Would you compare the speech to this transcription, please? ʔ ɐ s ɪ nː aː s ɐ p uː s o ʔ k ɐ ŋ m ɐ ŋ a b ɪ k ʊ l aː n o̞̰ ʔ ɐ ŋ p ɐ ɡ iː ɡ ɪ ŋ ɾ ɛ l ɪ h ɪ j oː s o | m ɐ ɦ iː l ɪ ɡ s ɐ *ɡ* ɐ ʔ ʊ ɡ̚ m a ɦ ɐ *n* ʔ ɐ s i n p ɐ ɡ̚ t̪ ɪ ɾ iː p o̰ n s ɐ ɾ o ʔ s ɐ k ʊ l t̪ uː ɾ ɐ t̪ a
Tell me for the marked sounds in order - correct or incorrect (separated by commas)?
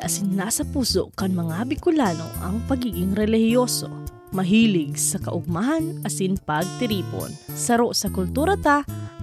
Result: incorrect, correct